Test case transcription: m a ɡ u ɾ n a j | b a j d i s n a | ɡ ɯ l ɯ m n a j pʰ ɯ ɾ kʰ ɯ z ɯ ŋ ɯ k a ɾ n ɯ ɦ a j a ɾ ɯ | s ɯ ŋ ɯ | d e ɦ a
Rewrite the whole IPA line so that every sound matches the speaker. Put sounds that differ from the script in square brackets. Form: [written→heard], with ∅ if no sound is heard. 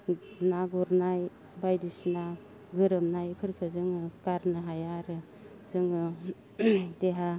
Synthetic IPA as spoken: [m→n] a ɡ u ɾ n a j | b a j d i s n a | ɡ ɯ [l→ɾ] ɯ m n a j pʰ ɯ ɾ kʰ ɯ z ɯ ŋ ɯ k a ɾ n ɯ ɦ a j a ɾ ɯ | [s→z] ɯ ŋ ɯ | d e ɦ a

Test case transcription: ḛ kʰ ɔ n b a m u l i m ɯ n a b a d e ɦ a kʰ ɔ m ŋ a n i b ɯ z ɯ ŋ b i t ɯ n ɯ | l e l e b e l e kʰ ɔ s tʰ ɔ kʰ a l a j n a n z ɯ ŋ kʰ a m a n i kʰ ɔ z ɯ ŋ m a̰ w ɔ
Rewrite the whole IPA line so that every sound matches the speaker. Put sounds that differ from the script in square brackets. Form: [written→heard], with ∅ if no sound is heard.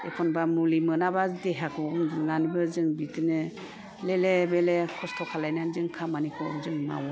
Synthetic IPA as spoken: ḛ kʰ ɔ n b a m u l i m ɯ n a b a d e ɦ a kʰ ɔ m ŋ a n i b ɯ z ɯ ŋ b i t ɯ n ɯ | l e l e b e l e kʰ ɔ s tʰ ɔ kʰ a l a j n a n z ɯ ŋ kʰ a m a n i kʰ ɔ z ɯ ŋ m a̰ w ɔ

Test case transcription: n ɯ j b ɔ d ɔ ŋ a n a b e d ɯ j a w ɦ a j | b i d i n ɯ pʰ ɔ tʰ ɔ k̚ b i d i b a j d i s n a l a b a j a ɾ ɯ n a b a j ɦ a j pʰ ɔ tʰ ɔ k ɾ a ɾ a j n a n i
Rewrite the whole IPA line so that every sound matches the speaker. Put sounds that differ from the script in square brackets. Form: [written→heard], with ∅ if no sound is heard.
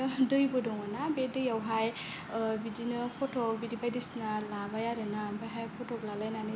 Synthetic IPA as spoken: [n→d] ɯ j b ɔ d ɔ ŋ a n a b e d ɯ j a w ɦ a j | b i d i n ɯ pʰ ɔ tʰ ɔ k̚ b i d i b a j d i s n a l a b a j a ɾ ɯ n a b a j ɦ a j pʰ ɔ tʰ ɔ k [ɾ→l] a [ɾ→l] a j n a n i

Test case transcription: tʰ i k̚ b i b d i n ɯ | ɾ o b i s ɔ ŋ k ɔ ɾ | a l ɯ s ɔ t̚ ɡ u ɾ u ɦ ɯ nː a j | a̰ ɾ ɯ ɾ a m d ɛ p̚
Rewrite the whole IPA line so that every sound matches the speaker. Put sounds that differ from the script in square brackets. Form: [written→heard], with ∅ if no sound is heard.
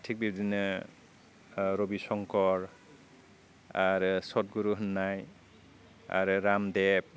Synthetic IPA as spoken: tʰ i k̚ b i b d i n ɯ | ɾ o b i s ɔ ŋ k ɔ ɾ | a [l→ɾ] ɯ s ɔ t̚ ɡ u ɾ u ɦ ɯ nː a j | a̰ ɾ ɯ ɾ a m d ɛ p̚

